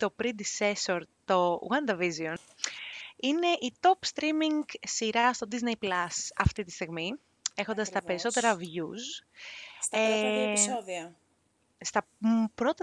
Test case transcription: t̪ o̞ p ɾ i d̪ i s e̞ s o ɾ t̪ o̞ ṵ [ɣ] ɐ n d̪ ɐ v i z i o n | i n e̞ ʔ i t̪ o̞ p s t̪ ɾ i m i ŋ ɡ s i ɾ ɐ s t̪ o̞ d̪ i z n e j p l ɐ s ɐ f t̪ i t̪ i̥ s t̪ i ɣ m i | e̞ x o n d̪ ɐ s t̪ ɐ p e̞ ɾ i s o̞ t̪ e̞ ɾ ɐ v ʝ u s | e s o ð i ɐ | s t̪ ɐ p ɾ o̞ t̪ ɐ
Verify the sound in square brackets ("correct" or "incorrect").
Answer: correct